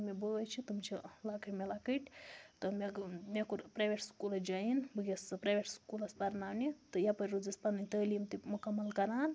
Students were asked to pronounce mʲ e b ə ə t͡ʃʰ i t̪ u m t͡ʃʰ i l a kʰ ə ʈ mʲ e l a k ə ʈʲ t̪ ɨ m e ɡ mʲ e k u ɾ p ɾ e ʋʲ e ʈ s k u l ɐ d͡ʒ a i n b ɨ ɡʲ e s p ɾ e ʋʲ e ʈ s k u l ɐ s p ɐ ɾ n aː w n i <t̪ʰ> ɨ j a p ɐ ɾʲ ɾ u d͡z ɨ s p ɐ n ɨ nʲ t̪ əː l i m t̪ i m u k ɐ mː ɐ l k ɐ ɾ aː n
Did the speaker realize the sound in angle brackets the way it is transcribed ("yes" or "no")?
no